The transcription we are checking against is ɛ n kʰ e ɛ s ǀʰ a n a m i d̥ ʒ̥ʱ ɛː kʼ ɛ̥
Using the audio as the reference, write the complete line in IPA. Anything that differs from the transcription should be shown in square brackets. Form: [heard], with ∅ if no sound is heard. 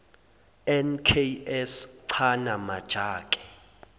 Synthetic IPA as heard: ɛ n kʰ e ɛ s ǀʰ a n a m [a] d̥ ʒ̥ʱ [aː] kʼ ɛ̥

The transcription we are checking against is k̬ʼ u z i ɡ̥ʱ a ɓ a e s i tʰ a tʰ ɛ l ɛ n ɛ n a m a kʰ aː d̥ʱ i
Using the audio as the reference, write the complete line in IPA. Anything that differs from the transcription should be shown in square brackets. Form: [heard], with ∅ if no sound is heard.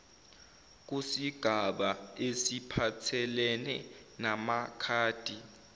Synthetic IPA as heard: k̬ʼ u [s] i ɡ̥ʱ a ɓ a e s i [pʰ] a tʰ ɛ l ɛ n ɛ n a m a kʰ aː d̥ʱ i

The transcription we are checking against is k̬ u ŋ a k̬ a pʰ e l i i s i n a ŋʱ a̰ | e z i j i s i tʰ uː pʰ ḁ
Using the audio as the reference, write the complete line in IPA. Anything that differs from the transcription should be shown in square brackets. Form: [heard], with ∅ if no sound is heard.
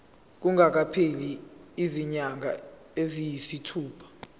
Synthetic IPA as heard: k̬ u ŋ a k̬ a pʰ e l i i [z] i [ɲ] a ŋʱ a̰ | e z i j i s i tʰ uː pʰ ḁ

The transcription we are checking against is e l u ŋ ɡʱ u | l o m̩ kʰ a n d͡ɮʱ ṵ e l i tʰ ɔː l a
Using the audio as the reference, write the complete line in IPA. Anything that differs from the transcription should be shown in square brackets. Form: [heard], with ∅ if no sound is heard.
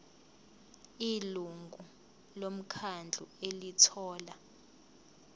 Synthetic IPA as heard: [i] l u ŋ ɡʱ u | l o m̩ kʰ a n d͡ɮʱ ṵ e l i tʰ ɔː l a

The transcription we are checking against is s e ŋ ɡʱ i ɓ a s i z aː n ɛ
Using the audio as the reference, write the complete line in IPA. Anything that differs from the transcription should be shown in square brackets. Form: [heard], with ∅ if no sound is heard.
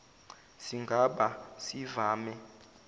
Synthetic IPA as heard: s [i] ŋ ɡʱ [a] ɓ a s i [v] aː [m] ɛ

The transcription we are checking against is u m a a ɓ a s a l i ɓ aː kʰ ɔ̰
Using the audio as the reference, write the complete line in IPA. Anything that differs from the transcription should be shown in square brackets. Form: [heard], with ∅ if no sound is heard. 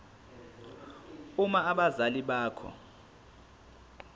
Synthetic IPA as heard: u m a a ɓ a [z] a l i ɓ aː kʰ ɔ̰

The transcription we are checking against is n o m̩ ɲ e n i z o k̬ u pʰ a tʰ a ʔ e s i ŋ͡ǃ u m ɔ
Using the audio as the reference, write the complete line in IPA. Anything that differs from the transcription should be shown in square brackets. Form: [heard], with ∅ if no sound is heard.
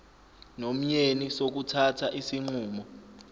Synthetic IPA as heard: n o m̩ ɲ e n i [s] o k̬ u [tʰ] a tʰ a ʔ [i] s i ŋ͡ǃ [uː] m ɔ

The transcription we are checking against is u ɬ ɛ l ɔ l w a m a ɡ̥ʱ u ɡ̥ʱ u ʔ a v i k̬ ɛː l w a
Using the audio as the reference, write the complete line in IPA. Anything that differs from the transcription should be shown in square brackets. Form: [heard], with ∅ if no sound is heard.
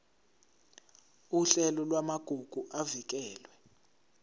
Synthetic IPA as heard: u ɬ ɛ l ɔ l w a m a ɡ̥ʱ u ɡ̥ʱ u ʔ a v i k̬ ɛː l w [ɛ]

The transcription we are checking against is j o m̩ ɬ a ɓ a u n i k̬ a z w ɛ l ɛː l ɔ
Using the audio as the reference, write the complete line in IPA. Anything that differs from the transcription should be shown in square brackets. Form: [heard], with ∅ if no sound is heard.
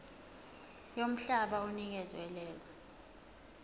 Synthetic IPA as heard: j o m̩ ɬ a ɓ a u n i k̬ [ɛ] z w ɛ l ɛː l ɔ

